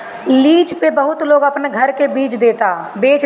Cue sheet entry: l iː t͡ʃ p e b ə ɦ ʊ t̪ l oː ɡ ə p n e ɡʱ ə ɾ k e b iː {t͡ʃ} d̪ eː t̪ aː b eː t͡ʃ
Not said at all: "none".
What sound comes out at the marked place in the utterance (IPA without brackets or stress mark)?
t͡ʃ